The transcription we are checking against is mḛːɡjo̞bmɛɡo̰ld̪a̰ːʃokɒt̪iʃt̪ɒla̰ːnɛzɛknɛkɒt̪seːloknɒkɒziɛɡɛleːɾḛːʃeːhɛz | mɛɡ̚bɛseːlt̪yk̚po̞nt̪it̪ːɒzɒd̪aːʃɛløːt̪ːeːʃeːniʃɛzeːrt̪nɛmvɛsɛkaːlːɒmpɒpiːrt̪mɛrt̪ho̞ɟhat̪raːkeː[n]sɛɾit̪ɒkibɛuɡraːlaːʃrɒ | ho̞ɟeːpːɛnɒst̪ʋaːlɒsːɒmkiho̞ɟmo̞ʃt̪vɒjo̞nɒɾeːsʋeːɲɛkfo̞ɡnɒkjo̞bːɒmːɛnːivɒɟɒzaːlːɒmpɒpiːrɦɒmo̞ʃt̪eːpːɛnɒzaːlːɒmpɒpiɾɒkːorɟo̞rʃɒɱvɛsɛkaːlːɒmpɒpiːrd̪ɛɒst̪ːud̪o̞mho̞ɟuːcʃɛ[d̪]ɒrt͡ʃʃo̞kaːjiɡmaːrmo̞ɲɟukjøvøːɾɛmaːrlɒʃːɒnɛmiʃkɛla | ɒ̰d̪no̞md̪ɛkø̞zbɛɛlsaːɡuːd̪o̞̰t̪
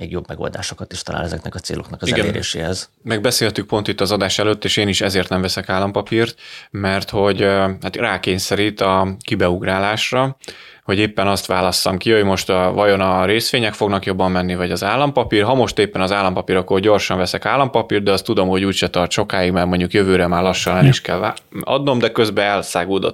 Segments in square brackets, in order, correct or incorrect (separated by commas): incorrect, incorrect